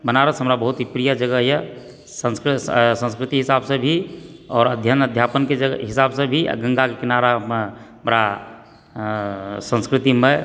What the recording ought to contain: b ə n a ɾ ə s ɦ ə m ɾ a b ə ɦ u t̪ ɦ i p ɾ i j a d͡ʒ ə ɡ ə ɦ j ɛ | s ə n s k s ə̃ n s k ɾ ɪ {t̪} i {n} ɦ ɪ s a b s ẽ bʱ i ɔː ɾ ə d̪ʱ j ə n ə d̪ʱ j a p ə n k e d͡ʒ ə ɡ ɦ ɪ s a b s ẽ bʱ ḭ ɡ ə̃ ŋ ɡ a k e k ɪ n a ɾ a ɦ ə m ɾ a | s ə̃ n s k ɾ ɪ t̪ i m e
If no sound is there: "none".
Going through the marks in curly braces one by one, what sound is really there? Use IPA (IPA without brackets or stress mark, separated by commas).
t̪, none